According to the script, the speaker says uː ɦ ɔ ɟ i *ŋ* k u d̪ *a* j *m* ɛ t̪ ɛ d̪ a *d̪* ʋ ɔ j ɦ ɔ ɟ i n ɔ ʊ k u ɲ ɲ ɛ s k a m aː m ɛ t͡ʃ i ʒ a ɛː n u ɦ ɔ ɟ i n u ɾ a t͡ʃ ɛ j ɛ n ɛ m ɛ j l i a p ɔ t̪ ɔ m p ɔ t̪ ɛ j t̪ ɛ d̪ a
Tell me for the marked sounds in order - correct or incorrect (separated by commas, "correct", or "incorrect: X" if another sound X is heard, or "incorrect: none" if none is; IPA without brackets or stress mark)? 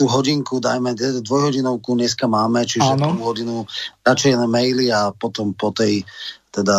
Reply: correct, correct, correct, correct